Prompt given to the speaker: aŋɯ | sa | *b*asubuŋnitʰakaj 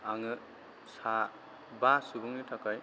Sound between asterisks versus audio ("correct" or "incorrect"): correct